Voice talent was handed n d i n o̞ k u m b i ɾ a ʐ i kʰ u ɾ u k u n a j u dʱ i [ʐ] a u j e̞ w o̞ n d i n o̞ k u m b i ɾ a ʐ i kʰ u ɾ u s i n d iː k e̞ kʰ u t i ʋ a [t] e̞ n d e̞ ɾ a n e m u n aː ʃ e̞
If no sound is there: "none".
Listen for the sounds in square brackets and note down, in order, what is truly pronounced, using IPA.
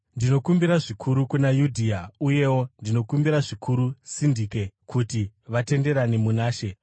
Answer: none, t

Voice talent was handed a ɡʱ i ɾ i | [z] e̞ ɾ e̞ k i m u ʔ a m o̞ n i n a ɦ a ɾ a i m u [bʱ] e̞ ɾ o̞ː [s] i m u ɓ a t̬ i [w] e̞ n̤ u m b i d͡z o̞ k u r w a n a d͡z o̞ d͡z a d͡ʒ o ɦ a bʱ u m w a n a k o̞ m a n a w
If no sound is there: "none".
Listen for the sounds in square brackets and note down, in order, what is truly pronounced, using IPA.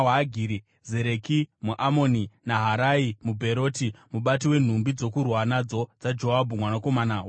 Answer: z, bʱ, t, w

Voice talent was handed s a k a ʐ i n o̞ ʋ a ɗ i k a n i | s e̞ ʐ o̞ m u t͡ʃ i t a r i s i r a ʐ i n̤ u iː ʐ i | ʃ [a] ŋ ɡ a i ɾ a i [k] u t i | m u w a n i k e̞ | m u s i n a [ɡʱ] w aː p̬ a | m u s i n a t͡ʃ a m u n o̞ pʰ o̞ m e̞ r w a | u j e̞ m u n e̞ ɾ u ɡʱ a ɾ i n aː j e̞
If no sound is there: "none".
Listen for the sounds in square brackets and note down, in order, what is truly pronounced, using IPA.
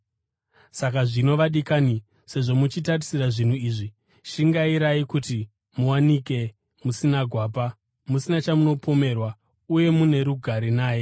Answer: i, k, ɡʱ

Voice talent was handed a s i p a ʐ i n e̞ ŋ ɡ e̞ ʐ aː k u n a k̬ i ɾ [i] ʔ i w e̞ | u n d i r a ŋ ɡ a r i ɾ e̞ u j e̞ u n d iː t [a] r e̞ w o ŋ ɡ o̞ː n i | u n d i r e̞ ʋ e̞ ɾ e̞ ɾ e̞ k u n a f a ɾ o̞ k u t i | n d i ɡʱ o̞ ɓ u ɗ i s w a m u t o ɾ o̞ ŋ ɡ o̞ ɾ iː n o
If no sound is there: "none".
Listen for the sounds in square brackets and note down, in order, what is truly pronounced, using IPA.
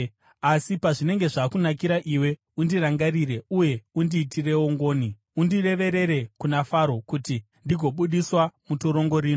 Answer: a, i

